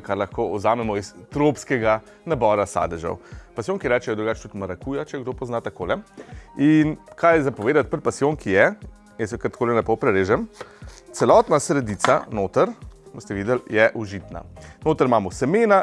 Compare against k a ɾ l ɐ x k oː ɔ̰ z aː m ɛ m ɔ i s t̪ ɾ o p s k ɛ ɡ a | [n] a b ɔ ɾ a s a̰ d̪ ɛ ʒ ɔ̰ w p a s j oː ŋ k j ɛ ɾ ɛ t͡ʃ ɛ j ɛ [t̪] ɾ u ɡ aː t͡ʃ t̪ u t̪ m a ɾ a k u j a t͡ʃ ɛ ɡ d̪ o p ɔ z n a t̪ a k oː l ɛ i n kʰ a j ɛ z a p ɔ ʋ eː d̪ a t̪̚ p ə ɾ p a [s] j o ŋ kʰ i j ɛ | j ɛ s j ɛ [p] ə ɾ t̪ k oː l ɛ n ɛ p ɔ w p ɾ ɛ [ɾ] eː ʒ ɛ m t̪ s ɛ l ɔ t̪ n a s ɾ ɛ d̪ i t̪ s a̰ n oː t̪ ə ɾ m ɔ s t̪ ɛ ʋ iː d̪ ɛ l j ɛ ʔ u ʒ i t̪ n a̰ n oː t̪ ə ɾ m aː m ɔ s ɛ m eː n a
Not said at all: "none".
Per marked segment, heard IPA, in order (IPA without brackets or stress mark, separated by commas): n, d̪, s, k, ɾ